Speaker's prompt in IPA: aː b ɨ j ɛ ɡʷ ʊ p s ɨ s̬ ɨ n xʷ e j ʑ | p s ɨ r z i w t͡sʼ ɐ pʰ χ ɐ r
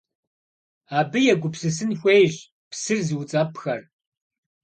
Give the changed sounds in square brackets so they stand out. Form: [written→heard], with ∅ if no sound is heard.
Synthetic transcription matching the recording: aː b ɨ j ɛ ɡʷ ʊ p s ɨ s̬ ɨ n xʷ e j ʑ | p s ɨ r z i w t͡sʼ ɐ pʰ [χ→x] ɐ r